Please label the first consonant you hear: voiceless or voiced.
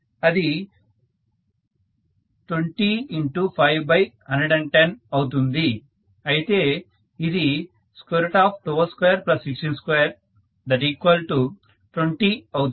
voiced